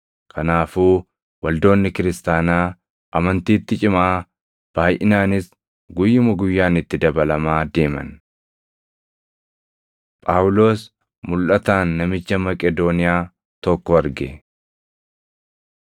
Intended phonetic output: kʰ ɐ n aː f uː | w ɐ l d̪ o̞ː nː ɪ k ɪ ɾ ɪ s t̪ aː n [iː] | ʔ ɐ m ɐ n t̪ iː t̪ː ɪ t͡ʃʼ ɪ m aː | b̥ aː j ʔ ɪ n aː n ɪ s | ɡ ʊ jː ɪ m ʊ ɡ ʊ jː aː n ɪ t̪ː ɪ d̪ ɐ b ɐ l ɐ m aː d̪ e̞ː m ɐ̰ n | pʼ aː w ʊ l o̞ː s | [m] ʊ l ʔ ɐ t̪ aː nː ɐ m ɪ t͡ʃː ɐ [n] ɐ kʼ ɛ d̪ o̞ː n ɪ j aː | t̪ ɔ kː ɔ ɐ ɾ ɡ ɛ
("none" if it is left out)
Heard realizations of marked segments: aː, m, m

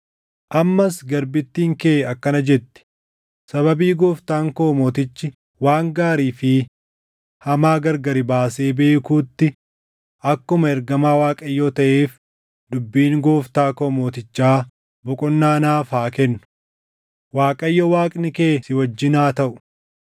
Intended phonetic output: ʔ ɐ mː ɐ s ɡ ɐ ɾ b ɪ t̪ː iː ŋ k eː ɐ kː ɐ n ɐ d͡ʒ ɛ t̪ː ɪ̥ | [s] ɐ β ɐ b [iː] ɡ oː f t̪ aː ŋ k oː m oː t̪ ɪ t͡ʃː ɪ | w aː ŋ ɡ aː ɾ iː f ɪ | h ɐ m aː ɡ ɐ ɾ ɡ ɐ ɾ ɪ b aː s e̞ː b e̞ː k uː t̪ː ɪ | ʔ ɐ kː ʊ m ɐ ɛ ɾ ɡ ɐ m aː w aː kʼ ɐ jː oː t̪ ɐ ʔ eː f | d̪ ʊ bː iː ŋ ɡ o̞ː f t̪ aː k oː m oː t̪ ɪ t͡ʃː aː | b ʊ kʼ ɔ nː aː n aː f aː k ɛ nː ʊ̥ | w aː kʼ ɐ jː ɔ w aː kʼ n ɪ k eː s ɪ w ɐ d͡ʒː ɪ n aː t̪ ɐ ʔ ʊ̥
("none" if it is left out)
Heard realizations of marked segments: s, iː

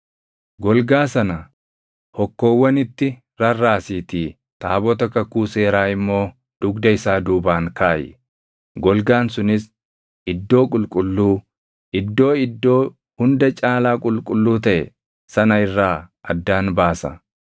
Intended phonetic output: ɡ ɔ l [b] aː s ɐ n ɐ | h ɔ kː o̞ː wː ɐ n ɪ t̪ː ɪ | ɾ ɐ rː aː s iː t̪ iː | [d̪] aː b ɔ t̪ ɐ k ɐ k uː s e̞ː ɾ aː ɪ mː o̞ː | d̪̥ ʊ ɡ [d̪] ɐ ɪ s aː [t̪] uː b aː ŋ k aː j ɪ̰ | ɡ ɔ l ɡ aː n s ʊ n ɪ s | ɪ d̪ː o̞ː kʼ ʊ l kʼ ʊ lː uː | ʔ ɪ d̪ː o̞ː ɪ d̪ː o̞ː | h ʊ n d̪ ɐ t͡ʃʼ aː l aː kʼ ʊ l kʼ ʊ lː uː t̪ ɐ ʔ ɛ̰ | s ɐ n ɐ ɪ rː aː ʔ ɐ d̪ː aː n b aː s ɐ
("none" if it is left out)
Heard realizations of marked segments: ɡ, t̪, d̪, d̪

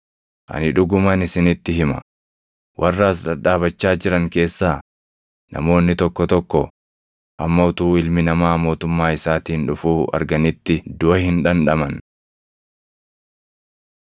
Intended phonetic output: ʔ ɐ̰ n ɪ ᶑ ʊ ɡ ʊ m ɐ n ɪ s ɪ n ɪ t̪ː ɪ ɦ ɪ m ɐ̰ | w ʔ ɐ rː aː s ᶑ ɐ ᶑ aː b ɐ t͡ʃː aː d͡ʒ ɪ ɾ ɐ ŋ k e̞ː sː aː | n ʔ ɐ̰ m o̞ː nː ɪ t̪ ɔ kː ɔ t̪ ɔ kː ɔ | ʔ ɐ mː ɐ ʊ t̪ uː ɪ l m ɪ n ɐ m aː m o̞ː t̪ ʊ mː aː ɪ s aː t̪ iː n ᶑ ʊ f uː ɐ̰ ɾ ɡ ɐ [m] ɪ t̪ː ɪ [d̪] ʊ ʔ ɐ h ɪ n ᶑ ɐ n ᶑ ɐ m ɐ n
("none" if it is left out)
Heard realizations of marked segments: n, d̪

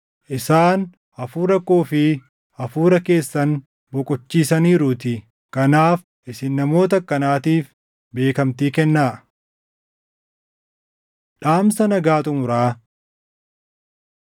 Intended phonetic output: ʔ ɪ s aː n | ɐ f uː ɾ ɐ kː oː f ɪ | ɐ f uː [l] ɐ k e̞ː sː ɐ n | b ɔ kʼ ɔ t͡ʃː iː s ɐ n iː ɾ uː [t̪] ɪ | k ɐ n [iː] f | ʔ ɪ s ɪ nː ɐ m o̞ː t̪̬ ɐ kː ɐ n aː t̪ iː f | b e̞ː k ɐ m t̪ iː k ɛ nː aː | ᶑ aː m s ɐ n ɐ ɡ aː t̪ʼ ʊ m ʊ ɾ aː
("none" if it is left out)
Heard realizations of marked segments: ɾ, t̪, aː

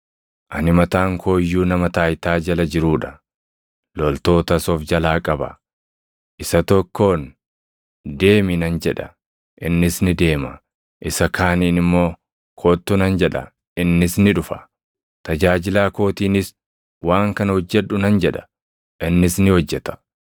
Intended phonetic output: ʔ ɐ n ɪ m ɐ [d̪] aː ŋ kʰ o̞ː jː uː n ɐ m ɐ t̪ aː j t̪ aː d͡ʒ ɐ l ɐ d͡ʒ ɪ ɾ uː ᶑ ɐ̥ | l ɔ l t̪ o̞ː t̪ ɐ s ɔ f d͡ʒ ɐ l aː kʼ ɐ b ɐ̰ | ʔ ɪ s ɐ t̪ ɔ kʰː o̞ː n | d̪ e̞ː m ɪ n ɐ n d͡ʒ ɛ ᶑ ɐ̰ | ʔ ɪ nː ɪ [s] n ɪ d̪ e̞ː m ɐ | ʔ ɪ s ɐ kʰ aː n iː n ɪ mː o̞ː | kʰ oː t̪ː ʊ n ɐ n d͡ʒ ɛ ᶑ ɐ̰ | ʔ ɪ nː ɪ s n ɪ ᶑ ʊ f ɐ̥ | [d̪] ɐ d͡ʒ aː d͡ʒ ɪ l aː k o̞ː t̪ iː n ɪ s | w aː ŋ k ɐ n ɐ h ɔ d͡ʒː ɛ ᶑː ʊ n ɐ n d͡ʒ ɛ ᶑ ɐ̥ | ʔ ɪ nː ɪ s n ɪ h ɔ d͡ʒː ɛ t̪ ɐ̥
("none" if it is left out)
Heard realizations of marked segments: t̪, s, t̪

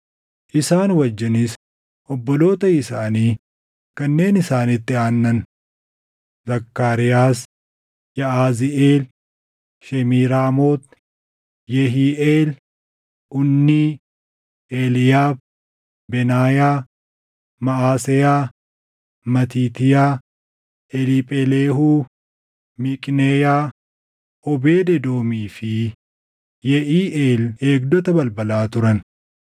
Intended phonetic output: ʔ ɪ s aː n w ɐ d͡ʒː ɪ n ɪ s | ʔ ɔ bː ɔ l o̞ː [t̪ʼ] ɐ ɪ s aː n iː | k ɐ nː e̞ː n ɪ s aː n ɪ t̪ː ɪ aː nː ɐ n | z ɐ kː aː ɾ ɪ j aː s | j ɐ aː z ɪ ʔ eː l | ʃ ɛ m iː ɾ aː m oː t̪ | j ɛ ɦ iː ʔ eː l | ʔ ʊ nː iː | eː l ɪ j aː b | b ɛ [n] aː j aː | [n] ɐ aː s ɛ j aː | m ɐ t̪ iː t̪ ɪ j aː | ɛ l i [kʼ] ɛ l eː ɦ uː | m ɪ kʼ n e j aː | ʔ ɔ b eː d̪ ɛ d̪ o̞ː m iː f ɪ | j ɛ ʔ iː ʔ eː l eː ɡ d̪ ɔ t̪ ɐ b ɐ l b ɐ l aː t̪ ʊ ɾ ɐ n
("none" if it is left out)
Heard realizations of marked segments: t̪, n, m, pʼ

